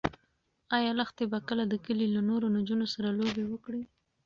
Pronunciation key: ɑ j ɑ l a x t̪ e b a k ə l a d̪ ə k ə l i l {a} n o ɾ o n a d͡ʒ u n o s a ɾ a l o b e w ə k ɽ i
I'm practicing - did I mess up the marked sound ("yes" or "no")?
no